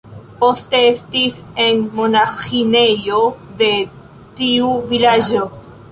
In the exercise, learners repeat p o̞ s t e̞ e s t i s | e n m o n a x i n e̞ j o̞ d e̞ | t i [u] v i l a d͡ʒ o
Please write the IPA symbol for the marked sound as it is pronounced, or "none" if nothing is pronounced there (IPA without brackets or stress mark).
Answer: u